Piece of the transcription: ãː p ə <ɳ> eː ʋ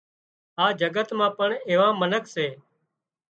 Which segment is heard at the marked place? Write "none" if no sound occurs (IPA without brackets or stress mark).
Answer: ɳ